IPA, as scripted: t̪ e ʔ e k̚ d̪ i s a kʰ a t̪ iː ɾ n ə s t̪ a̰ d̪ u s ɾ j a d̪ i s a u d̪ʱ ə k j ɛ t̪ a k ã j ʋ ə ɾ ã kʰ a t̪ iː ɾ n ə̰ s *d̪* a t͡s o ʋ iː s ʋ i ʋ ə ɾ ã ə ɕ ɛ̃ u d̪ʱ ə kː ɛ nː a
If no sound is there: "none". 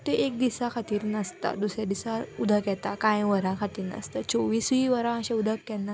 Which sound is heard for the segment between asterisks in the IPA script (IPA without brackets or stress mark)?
t̪